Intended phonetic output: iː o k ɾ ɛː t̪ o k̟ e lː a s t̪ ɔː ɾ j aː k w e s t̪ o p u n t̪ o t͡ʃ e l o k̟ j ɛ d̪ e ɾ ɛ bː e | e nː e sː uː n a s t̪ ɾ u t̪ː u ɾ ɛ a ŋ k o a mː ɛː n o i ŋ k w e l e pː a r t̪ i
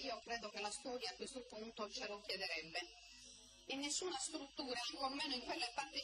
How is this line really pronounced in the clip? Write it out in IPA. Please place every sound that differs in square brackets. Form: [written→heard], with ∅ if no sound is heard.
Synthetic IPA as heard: iː o k ɾ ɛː [t̪→d̪] o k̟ e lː a s t̪ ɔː ɾ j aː k w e s t̪ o p u n t̪ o t͡ʃ e l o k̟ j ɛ d̪ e ɾ ɛ bː e | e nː e sː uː n a s t̪ ɾ u t̪ː [u→uː] ɾ [ɛ→a] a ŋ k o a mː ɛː n o i ŋ k w e [l→lː] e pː a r t̪ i